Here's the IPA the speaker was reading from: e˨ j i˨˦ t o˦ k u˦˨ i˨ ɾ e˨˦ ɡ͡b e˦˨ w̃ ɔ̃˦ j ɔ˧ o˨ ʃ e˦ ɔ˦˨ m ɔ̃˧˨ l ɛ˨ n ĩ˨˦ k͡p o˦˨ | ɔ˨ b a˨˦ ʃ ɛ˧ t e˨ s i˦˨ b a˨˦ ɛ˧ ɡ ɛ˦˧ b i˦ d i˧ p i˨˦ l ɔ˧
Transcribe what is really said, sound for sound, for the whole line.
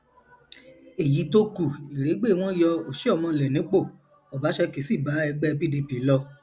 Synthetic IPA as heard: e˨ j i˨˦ t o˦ k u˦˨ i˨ ɾ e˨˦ ɡ͡b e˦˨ w̃ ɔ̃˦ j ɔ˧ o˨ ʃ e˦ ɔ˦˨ m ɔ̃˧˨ l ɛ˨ n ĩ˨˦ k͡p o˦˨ | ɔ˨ b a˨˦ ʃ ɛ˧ k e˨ s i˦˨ b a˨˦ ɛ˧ ɡ͡b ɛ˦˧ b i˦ d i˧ p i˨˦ l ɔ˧